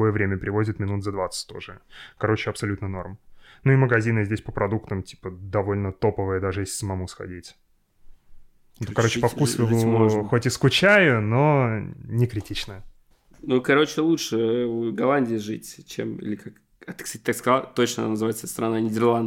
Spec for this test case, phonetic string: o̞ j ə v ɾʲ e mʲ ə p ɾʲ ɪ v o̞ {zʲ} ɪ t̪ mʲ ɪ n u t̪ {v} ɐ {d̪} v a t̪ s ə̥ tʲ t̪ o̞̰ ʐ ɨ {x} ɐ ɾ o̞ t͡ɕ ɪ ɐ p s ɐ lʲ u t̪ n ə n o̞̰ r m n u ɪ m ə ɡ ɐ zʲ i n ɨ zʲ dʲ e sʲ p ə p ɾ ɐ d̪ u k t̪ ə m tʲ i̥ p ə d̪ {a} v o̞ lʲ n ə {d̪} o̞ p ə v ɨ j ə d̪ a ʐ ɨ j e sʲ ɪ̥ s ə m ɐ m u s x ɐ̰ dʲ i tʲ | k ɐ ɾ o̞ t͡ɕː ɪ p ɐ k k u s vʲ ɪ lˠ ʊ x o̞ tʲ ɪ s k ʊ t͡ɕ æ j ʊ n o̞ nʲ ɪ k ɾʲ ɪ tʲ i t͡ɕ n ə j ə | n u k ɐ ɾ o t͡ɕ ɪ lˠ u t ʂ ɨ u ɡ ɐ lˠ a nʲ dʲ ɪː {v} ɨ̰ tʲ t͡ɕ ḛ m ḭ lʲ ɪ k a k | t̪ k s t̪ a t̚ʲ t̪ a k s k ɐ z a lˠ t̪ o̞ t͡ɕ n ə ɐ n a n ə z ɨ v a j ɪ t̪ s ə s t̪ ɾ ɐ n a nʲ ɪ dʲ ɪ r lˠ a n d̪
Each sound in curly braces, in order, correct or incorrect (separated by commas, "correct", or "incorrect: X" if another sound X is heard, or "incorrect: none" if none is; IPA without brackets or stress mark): correct, incorrect: z, correct, incorrect: k, incorrect: ɐ, incorrect: t̪, incorrect: ʐ